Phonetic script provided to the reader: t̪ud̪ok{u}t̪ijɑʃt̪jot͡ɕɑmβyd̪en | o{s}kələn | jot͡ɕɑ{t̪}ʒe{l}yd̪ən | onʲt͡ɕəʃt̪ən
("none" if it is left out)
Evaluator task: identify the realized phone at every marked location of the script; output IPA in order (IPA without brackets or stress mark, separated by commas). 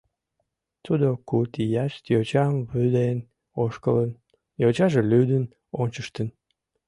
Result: u, ʃ, none, l